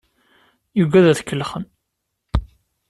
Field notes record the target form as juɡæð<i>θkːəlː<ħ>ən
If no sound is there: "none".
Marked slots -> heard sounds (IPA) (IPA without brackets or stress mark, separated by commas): æ, χ